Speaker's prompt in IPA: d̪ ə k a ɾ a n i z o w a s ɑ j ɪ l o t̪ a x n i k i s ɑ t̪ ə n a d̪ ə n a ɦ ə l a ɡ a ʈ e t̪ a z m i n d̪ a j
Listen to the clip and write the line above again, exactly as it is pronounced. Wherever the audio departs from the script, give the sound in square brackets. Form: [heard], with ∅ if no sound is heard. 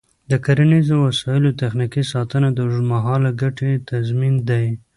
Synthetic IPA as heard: d̪ ə k a ɾ a n i z o w a s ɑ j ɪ l o t̪ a x n i k i s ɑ t̪ ə n a d̪ ə [m] a ɦ [ɑ] l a ɡ a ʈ e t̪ a z m i n d̪ a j